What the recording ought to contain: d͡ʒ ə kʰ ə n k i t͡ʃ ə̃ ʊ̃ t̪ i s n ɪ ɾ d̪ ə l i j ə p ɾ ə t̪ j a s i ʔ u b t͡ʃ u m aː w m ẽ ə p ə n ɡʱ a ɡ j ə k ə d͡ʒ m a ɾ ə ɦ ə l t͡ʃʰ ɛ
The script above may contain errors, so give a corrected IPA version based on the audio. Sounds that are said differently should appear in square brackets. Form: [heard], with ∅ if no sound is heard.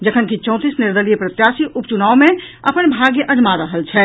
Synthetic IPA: d͡ʒ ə kʰ ə n k i t͡ʃ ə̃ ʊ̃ t̪ i s n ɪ ɾ d̪ ə l i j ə p ɾ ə t̪ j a s i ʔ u [p] t͡ʃ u [n] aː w m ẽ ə p ə n [bʱ] a ɡ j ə [ʔ] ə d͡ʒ m a ɾ ə ɦ ə l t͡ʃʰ ɛ